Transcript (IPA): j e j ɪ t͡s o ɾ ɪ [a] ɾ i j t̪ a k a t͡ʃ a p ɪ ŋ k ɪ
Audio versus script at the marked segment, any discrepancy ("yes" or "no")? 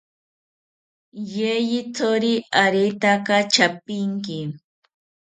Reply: no